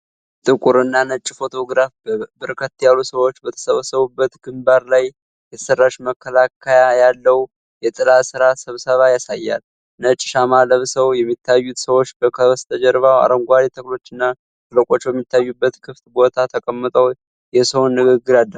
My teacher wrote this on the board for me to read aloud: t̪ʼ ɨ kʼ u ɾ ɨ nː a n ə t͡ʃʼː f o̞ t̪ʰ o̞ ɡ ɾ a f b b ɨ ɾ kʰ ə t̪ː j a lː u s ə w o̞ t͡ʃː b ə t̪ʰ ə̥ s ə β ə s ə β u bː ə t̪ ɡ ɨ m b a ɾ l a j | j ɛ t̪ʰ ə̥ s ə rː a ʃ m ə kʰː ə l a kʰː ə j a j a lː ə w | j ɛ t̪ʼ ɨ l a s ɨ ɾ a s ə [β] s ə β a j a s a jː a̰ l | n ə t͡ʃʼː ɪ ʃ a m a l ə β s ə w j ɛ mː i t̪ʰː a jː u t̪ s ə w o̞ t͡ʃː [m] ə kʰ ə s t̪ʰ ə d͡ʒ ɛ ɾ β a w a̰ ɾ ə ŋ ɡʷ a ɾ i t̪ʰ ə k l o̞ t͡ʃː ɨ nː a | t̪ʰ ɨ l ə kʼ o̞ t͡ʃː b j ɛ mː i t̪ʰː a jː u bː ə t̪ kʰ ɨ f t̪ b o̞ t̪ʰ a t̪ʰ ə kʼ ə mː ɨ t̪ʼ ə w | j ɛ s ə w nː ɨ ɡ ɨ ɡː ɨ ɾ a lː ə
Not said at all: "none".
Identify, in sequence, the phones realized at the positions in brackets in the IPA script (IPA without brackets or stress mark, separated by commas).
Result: β, b